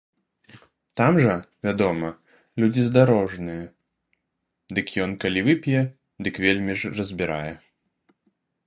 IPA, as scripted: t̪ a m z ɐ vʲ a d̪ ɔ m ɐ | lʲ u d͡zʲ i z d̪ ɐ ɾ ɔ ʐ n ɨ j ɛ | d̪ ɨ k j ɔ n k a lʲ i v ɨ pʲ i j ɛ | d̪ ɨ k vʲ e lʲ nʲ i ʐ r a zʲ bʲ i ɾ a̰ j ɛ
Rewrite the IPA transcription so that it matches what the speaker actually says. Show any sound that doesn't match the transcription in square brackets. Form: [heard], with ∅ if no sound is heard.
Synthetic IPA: t̪ a m [ʐ] ɐ vʲ a d̪ ɔ m ɐ | lʲ u d͡zʲ i z d̪ [a] ɾ ɔ ʐ n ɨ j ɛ | d̪ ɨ k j ɔ n k a lʲ i v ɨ pʲ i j ɛ | d̪ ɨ k vʲ e lʲ [mʲ] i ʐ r [ɐ] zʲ bʲ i ɾ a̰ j ɛ